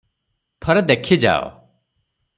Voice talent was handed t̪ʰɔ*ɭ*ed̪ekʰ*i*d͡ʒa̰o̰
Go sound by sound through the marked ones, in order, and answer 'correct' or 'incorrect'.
incorrect, correct

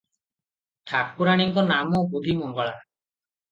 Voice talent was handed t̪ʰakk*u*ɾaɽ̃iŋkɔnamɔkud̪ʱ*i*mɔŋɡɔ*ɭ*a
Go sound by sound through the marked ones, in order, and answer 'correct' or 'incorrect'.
correct, correct, correct

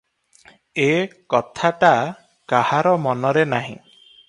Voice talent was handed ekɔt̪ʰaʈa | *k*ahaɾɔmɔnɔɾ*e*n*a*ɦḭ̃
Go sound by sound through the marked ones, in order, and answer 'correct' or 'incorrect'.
correct, correct, correct

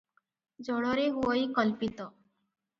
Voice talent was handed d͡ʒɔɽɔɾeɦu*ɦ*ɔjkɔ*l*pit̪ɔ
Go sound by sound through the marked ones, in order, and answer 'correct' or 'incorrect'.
incorrect, correct

